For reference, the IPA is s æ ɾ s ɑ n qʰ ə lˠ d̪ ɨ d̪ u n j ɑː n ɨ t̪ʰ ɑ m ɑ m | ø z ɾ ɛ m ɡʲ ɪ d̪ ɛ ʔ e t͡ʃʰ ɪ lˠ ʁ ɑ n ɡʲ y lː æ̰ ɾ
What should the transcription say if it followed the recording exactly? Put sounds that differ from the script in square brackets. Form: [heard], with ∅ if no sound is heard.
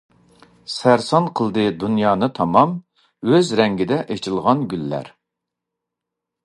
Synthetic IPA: s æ ɾ s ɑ n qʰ ə lˠ d̪ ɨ d̪ u n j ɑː n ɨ t̪ʰ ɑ m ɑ m | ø z ɾ ɛ [ŋ] ɡʲ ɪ d̪ ɛ ʔ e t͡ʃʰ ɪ lˠ ʁ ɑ n ɡʲ y lː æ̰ ɾ